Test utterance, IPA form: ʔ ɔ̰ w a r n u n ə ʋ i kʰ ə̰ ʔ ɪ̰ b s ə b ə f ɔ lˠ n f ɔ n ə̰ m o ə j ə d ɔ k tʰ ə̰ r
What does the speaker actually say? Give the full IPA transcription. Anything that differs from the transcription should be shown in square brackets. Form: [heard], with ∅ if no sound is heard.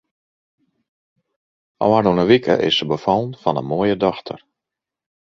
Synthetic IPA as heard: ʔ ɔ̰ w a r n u n ə ʋ i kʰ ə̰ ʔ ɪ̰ [∅] s ə b ə f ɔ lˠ n f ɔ n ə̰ m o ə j ə d ɔ [x] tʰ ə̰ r